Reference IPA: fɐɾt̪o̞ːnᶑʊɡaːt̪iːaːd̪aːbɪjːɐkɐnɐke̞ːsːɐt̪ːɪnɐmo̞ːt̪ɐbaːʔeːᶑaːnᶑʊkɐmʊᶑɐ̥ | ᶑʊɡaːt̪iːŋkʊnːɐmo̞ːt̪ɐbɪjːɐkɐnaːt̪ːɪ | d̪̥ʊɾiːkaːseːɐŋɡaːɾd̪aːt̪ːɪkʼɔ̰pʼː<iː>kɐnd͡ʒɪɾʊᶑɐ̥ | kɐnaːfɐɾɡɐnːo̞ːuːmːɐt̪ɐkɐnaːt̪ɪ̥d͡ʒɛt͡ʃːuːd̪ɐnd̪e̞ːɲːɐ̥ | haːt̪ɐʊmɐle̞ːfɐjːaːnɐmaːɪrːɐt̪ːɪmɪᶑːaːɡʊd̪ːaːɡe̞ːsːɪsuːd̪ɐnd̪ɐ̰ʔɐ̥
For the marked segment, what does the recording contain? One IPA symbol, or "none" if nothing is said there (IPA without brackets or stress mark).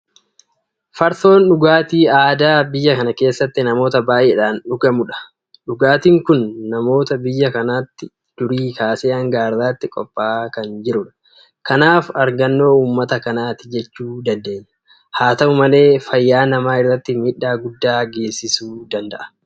aː